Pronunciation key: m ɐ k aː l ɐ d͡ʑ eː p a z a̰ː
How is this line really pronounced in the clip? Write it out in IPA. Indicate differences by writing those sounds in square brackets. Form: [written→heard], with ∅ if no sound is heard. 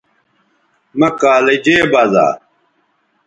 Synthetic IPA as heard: m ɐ k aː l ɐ d͡ʑ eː [p→b] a z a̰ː

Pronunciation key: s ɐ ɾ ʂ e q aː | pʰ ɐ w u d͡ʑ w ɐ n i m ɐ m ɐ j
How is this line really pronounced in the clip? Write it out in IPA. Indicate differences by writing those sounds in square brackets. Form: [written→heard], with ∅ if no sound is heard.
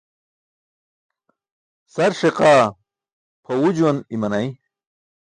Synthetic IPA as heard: s ɐ ɾ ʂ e q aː | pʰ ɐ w u d͡ʑ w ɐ n i m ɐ [m→n] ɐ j

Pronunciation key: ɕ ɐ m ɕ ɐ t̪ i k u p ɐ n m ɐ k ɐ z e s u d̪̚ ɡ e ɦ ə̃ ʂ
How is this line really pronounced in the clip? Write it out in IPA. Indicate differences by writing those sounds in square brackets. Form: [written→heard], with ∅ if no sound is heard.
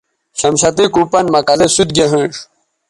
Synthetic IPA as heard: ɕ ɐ m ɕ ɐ t̪ i k u p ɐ n m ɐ k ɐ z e s u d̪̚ ɡ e ɦ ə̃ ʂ

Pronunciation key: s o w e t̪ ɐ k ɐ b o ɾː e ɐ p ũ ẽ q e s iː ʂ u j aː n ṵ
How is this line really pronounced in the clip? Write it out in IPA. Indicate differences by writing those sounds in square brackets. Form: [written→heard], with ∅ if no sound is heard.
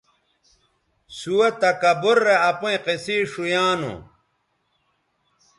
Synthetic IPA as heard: s [o→u] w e t̪ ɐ k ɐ b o ɾː e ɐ p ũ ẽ q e s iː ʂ u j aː n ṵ

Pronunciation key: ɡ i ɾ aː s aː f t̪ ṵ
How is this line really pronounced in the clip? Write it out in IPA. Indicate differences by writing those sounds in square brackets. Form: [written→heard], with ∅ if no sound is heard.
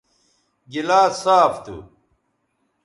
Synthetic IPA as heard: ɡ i [ɾ→l] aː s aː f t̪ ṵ

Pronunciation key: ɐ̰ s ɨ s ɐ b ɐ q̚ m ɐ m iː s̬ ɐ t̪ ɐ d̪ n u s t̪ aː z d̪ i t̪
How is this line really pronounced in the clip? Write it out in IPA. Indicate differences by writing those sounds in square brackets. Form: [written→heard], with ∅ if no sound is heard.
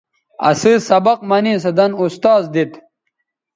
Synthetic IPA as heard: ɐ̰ s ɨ s ɐ b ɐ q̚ m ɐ [m→n] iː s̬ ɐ [t̪→d̪] ɐ [d̪→∅] n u s t̪ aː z d̪ i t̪

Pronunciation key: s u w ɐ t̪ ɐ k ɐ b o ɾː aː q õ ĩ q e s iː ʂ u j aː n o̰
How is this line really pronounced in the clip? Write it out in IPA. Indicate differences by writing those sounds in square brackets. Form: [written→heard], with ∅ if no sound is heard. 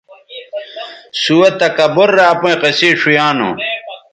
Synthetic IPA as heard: s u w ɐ t̪ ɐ k ɐ b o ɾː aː [q→p] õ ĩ q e s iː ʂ u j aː n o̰

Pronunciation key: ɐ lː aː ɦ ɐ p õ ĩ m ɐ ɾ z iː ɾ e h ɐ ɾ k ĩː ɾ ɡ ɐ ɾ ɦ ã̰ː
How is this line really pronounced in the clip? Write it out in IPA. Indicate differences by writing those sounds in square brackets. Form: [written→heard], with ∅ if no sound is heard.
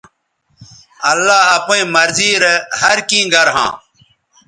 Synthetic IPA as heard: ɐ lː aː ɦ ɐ p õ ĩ m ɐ ɾ z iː ɾ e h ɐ ɾ k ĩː [ɾ→∅] ɡ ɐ ɾ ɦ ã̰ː

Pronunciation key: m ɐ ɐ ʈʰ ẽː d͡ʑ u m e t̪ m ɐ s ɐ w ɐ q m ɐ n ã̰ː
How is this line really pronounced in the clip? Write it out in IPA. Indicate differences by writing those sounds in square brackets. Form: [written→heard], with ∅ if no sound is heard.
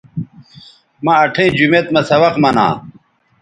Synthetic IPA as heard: m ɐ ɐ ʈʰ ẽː d͡ʑ u m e t̪ m ɐ s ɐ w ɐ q m ɐ n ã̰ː

